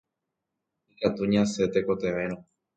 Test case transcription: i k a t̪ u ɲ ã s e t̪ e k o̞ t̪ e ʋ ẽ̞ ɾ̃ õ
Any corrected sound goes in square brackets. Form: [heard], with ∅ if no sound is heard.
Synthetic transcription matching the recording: i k a t̪ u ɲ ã s e t̪ e k o̞ t̪ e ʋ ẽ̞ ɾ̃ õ